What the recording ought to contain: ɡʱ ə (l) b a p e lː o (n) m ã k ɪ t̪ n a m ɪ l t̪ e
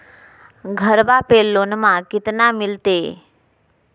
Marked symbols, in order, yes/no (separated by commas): no, yes